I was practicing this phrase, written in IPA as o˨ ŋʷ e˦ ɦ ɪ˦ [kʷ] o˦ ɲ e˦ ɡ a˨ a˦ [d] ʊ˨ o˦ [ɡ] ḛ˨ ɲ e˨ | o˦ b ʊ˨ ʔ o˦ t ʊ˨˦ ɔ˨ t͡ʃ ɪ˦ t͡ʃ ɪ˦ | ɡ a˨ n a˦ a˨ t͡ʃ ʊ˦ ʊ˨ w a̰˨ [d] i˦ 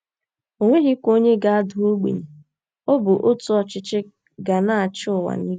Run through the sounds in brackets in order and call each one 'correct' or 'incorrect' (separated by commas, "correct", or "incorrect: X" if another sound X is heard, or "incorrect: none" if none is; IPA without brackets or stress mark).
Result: correct, correct, incorrect: ɡ͡b, incorrect: n